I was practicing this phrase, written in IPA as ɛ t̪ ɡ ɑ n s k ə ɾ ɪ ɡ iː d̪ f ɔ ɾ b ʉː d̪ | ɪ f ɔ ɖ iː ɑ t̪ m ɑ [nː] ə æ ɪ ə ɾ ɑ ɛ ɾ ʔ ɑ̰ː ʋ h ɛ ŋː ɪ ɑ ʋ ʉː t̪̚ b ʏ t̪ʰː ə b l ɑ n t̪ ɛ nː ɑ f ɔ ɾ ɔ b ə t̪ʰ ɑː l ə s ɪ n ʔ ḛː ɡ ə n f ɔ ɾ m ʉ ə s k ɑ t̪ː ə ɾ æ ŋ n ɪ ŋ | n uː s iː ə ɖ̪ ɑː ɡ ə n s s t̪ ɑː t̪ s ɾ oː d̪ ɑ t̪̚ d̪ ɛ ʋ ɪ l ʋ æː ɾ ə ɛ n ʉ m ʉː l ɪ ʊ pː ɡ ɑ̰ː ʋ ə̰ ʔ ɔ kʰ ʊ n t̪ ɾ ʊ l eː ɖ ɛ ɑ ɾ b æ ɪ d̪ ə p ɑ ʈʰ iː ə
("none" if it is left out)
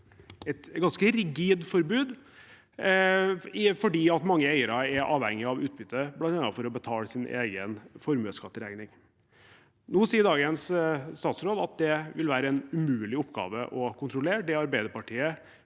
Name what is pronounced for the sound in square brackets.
ŋː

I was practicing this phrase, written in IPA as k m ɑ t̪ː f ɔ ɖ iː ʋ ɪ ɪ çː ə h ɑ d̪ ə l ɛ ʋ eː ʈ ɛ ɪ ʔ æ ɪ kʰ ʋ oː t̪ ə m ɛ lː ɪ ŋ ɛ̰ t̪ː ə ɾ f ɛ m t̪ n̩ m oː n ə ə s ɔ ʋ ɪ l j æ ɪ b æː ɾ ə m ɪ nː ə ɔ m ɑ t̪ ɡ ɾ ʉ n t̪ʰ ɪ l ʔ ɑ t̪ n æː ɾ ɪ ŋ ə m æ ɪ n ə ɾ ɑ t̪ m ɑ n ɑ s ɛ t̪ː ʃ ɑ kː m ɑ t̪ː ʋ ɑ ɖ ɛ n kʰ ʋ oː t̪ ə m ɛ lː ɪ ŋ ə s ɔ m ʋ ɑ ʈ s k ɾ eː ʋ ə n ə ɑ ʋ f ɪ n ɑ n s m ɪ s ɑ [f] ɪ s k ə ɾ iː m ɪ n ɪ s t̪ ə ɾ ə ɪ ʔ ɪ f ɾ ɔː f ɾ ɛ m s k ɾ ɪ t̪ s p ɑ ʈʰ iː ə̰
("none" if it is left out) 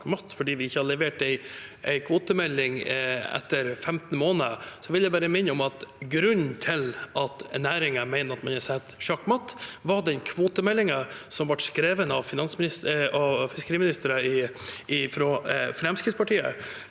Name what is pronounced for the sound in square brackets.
f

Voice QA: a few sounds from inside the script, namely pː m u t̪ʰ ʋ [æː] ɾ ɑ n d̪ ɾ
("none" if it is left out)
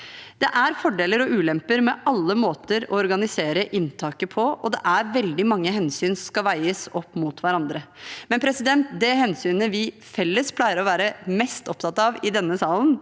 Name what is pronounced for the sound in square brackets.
æ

